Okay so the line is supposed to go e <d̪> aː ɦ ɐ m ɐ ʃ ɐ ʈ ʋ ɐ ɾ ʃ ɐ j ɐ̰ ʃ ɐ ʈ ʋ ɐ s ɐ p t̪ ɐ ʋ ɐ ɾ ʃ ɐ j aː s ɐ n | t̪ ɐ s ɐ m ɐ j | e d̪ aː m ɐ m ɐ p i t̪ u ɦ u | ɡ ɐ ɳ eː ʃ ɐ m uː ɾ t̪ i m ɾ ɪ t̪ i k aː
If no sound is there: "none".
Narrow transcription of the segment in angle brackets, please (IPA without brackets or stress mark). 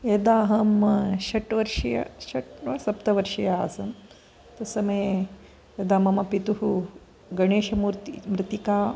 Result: d̪